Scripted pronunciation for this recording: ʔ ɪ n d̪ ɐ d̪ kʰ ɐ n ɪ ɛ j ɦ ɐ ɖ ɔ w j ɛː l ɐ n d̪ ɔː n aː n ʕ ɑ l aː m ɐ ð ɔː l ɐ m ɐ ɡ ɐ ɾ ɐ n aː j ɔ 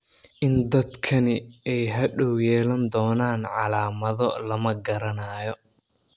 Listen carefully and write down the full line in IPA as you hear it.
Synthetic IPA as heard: ʔ ɪ n d̪ ɐ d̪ kʰ ɐ n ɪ ɛ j ɦ ɐ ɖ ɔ w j ɛː l ɐ n d̪ ɔː n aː n ʕ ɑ l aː m ɐ ð ɔ l ɐ m ɐ ɡ ɐ ɾ ɐ n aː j ɔ